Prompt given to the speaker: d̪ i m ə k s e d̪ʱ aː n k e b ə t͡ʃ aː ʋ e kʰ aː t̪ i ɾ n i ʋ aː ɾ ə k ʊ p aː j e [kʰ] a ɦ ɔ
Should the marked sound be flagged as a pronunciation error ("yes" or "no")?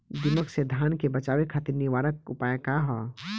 yes